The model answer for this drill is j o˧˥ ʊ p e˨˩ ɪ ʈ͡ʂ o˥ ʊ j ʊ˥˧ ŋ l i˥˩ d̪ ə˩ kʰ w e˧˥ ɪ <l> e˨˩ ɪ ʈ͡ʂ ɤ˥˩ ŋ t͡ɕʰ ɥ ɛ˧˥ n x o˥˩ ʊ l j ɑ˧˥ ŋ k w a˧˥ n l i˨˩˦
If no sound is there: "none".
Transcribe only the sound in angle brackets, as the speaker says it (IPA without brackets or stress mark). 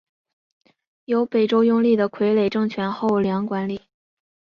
l